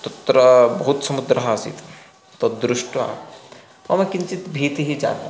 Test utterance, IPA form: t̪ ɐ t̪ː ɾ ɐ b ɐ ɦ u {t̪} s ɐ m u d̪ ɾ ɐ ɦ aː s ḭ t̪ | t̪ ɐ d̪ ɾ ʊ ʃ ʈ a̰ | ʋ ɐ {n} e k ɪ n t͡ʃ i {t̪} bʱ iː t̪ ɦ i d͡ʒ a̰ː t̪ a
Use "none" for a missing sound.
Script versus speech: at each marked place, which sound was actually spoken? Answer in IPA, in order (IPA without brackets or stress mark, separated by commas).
t̪, m, t̪